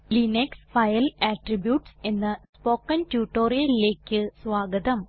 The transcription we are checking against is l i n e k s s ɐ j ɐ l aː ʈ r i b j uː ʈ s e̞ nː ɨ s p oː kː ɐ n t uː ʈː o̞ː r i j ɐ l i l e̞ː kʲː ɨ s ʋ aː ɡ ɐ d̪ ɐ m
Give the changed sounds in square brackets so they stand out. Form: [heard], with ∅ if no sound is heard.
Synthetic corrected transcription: l i n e k s [f] ɐ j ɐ l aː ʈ r i b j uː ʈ s e̞ nː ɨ s p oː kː ɐ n t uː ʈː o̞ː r i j ɐ l i l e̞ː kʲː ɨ s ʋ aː ɡ ɐ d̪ ɐ m